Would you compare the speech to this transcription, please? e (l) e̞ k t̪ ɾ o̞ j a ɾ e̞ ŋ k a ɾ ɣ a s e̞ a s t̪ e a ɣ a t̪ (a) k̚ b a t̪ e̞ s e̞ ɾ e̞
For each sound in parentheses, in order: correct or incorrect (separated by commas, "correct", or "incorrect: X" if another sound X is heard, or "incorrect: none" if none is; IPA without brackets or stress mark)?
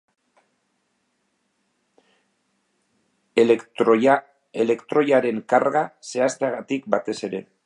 correct, incorrect: i